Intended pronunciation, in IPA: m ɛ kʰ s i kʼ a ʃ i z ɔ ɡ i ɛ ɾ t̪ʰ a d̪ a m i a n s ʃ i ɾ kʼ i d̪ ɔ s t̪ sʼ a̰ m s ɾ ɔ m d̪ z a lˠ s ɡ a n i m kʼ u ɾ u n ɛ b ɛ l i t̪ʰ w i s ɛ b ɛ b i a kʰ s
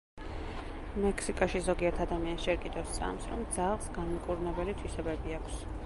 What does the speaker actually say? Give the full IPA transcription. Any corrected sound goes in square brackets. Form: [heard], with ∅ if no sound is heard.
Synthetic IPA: m ɛ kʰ s i kʼ a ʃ i z ɔ ɡ i ɛ ɾ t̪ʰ a d̪ a m i a n s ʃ [ɛ] ɾ kʼ i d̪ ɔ s t̪ sʼ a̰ m s ɾ ɔ m d̪ z a lˠ s ɡ a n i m kʼ u ɾ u n ɛ b ɛ l i t̪ʰ w i s ɛ b ɛ b i a kʰ s